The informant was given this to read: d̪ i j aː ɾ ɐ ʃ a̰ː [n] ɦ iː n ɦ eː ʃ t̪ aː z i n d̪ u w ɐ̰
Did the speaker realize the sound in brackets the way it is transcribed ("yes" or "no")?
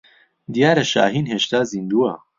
no